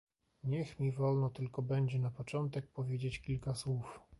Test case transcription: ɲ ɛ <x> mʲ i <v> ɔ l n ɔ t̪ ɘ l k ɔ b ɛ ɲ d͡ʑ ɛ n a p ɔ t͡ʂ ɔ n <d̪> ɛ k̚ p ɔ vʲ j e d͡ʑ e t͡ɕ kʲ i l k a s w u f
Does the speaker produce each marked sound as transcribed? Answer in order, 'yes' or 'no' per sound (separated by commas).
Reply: yes, yes, no